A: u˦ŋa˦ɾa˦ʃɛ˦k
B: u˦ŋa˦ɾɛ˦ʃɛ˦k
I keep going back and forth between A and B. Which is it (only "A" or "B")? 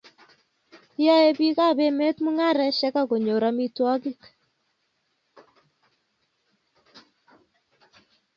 B